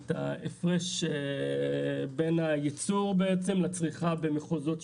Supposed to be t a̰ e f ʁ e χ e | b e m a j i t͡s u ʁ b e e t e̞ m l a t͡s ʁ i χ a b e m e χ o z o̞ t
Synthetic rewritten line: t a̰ e f ʁ e ʃ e | b e n a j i t͡s u ʁ b e e t͡s e̞ m l a t͡s ʁ i χ a b e m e χ o z o̞ t